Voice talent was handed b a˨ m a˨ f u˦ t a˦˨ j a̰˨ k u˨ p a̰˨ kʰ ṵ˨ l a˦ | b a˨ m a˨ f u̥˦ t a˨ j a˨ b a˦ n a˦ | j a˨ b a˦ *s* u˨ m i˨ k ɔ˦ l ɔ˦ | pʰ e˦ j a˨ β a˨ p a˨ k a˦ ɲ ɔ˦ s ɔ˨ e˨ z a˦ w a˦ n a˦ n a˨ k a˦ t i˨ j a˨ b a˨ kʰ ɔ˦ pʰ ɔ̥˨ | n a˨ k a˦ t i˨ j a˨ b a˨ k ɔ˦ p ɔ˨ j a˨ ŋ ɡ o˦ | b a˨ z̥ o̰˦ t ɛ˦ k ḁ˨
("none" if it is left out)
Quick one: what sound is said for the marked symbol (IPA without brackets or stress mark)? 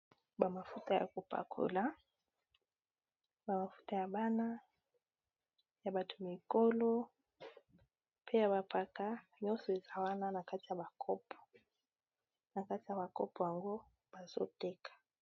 t